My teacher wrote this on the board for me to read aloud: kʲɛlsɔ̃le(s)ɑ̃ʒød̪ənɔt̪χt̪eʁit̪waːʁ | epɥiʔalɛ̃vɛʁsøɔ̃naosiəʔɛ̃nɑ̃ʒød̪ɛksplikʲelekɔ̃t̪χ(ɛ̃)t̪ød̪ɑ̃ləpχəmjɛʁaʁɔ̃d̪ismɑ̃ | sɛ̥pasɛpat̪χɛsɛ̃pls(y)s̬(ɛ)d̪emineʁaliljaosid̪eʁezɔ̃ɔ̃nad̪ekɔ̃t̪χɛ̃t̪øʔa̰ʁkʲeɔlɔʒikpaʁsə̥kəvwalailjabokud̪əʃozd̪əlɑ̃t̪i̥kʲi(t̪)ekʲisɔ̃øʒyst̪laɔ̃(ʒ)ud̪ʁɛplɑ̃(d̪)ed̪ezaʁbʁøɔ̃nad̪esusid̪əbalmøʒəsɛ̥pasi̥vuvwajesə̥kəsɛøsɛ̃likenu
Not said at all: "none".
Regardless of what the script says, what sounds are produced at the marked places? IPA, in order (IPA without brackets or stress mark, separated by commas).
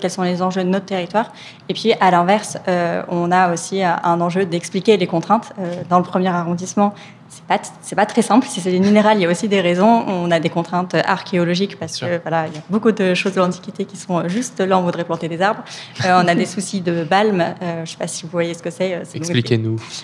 z, ɛ̃, i, ɛ, t̪, v, t̪